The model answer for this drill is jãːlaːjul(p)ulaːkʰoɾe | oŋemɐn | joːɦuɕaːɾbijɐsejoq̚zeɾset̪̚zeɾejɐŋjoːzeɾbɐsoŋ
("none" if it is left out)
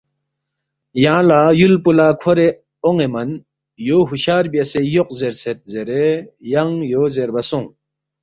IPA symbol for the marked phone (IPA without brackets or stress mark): p